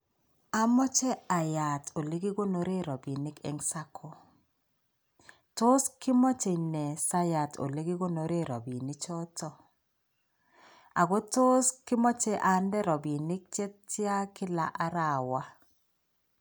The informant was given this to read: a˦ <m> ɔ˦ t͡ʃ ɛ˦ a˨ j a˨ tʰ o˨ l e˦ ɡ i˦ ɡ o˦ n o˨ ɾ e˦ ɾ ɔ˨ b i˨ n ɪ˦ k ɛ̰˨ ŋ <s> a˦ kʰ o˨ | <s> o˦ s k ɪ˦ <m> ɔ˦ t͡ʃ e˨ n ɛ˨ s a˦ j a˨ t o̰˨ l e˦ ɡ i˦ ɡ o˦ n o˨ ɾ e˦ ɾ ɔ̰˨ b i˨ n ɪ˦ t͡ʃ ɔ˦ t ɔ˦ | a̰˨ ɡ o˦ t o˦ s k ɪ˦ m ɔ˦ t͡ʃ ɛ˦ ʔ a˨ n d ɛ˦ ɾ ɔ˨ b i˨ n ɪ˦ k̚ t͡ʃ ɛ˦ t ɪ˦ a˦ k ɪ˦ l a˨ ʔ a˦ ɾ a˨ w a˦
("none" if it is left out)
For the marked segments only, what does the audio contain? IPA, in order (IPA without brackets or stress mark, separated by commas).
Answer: m, s, t, m